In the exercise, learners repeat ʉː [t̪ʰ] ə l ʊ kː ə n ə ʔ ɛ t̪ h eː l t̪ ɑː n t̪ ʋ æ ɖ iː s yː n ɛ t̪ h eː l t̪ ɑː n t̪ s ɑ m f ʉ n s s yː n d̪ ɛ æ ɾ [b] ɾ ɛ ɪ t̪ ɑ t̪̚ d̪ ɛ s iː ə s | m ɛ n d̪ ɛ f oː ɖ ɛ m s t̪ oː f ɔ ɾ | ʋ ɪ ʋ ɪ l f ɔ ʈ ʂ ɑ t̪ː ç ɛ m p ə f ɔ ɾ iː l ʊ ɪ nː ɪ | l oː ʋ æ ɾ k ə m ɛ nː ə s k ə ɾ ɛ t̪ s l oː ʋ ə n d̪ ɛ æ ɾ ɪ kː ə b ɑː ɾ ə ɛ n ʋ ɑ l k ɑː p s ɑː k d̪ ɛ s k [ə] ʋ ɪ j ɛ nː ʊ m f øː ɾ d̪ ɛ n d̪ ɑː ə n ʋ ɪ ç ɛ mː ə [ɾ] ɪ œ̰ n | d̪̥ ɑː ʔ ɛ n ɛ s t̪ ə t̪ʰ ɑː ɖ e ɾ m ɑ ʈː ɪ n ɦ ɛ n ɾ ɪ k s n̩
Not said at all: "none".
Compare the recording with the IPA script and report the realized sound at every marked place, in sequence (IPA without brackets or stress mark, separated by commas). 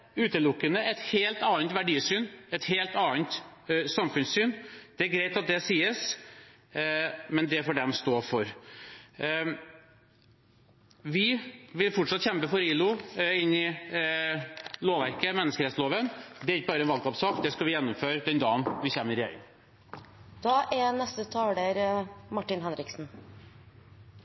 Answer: t̪, ɡ, ɑ, ɾ